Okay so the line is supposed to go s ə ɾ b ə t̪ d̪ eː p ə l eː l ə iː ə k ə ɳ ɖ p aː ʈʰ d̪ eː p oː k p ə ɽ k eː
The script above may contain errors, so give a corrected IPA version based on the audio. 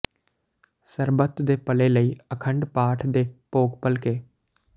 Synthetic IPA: s ə ɾ b ə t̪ d̪ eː p ə l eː l ə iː ə kʰ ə ɳ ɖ p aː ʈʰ d̪ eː p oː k p ə l k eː